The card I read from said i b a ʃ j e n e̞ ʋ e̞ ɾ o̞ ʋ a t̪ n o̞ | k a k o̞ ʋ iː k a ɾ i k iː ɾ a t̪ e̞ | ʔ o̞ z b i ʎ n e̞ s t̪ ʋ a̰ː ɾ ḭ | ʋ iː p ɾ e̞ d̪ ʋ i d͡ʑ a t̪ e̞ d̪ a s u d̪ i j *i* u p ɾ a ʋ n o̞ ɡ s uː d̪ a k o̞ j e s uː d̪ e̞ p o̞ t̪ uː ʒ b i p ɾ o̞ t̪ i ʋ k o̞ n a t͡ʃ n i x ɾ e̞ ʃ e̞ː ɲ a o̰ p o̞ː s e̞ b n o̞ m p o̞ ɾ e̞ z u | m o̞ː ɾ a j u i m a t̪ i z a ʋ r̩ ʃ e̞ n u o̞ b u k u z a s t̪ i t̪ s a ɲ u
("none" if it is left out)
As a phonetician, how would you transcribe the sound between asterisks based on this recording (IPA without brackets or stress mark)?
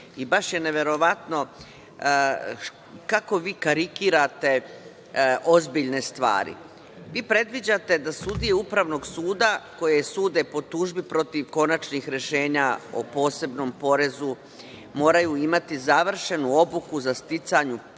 e